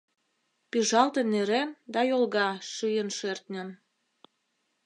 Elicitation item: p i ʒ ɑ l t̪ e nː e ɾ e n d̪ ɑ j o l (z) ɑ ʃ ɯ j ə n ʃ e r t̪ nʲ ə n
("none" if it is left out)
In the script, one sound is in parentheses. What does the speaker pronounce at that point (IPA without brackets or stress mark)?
ɣ